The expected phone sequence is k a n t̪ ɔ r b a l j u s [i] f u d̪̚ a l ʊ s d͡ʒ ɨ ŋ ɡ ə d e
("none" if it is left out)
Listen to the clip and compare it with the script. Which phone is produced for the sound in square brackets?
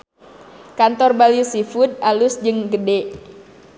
i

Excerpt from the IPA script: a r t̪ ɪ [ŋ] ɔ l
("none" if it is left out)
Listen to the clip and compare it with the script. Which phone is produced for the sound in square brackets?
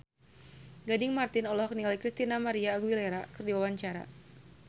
n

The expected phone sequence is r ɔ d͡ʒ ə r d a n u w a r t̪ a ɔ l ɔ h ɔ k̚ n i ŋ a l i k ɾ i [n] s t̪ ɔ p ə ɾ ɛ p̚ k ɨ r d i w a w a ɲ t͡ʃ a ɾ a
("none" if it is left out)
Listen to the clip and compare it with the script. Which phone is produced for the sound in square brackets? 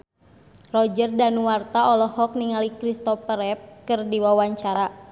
none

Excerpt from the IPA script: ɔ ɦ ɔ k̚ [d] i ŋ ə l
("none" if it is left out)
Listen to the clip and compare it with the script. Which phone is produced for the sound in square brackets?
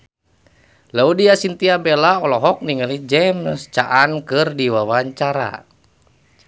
n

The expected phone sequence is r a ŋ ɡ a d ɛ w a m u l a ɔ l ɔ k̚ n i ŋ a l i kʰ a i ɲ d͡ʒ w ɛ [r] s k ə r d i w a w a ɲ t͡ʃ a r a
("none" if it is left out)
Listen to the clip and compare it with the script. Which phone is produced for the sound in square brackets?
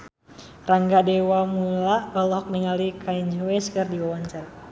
none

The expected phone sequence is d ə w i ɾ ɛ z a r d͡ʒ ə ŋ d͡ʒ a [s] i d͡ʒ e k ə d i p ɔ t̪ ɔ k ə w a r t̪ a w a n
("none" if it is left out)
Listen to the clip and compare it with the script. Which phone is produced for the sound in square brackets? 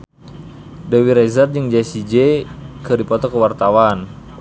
s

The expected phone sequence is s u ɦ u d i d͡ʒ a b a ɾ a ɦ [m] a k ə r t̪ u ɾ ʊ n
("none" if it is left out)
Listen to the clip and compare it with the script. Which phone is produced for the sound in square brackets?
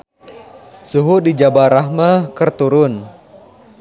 m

